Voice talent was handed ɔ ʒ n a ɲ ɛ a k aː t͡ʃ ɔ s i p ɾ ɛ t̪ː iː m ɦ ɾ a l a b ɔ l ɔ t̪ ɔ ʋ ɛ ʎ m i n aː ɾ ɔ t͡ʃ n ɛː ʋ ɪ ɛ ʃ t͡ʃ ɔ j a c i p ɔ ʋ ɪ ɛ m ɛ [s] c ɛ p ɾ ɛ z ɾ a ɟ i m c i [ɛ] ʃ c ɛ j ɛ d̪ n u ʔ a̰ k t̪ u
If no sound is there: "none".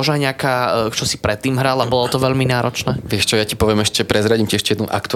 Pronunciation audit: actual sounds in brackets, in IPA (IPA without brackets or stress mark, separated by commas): ʃ, ɛ